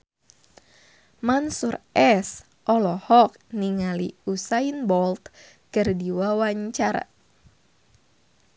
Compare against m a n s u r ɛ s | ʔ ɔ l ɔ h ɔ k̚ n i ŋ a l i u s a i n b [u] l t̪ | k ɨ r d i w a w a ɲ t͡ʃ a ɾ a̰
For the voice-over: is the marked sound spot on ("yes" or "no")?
no